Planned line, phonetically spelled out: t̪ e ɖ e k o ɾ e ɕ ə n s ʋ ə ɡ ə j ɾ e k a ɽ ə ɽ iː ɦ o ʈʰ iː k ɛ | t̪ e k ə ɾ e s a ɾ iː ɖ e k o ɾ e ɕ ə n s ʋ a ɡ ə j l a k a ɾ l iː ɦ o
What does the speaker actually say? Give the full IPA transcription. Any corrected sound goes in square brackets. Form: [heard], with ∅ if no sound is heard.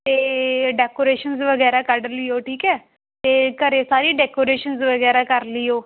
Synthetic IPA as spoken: t̪ e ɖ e k o ɾ e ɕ ə n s ʋ ə ɡ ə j ɾ [a] k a ɽ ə [l] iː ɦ o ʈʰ iː k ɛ | t̪ e k ə ɾ e s a ɾ iː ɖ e k o ɾ e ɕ ə n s ʋ [ə] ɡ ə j [ɾ] a k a ɾ l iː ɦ o